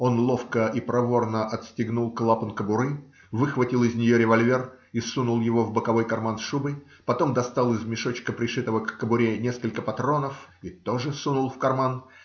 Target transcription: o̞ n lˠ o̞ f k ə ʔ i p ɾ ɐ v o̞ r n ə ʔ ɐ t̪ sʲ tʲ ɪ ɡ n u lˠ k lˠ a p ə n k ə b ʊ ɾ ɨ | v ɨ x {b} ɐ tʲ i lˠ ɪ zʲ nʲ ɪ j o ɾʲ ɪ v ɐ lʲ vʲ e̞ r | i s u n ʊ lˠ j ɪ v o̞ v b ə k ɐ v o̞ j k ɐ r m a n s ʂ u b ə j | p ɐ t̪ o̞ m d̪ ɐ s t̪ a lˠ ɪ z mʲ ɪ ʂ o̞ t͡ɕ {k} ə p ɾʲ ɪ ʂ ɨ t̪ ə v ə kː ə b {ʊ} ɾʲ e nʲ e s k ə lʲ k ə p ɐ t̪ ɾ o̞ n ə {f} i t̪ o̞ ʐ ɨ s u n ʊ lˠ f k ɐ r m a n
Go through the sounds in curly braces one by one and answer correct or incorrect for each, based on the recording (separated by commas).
incorrect, correct, correct, correct